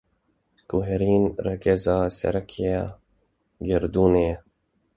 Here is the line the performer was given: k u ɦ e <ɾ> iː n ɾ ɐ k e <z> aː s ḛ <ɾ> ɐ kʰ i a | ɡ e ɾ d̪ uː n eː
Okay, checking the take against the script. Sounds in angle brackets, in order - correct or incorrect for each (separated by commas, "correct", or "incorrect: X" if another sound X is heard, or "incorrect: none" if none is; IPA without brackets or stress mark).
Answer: correct, correct, correct